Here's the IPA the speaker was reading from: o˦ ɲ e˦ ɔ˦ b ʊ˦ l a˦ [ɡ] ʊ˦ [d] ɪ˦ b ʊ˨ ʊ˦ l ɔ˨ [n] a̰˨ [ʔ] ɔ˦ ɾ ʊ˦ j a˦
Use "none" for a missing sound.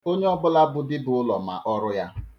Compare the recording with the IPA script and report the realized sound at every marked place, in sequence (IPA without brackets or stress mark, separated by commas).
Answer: b, d, m, ʔ